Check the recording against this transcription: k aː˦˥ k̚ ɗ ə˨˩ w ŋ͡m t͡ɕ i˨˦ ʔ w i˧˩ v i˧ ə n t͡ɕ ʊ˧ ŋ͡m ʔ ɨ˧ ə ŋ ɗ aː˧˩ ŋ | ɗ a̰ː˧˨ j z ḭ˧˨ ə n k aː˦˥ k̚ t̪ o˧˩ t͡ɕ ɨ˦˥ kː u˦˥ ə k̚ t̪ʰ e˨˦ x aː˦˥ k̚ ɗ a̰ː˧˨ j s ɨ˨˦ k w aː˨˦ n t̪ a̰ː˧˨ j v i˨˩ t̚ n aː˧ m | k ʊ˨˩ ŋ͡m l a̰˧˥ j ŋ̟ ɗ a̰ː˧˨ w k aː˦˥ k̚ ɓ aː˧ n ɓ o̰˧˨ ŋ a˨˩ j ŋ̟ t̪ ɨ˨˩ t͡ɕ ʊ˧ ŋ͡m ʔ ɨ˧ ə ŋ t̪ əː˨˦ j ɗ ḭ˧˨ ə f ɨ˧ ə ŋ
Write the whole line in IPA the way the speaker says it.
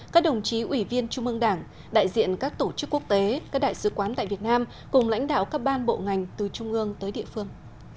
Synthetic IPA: k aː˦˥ k̚ ɗ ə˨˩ w ŋ͡m t͡ɕ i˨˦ ʔ w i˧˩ v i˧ ə n t͡ɕ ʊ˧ ŋ͡m ʔ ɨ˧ ə ŋ ɗ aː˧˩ ŋ | ɗ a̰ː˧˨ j z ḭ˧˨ ə n k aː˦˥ k̚ t̪ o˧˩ t͡ɕ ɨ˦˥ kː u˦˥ ə k̚ t̪ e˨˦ k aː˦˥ k̚ ɗ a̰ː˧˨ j s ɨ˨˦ k w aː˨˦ n t̪ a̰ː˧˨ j v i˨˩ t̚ n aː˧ m | k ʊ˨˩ ŋ͡m l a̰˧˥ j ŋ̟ ɗ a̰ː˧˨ w k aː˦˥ k̚ ɓ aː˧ n ɓ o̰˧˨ ŋ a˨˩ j ŋ̟ t̪ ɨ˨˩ t͡ɕ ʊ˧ ŋ͡m ʔ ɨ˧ ə ŋ t̪ əː˨˦ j ɗ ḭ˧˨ ə f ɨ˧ ə ŋ